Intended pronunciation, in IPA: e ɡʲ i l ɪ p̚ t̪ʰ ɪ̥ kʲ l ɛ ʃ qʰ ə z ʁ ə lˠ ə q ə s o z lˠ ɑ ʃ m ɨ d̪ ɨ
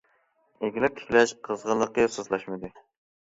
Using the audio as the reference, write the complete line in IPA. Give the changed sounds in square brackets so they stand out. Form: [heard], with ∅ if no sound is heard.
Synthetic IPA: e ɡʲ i l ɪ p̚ t̪ʰ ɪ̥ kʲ l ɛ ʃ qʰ ə z ʁ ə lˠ ə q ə s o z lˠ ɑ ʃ m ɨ d̪ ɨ